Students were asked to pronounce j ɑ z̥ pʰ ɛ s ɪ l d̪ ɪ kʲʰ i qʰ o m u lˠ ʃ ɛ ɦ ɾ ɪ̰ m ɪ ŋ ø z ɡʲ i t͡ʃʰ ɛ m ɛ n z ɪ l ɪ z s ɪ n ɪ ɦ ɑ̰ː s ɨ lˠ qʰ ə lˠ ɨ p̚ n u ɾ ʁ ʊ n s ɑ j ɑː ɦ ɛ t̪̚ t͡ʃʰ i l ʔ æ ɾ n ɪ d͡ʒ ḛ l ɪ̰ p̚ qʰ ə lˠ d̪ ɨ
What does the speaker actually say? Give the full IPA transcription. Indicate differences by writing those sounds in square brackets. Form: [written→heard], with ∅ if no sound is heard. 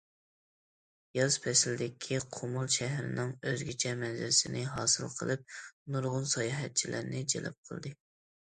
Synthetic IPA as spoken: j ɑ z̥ pʰ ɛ s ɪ l d̪ ɪ kʲʰ i qʰ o m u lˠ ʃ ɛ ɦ ɾ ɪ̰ [m→n] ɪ ŋ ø z ɡʲ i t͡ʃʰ ɛ m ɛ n z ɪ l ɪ [z→∅] s ɪ n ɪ ɦ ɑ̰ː s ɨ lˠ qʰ ə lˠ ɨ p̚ n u ɾ ʁ ʊ n s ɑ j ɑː ɦ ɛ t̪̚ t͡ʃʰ i l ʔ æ ɾ n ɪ d͡ʒ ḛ l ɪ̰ p̚ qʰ ə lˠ d̪ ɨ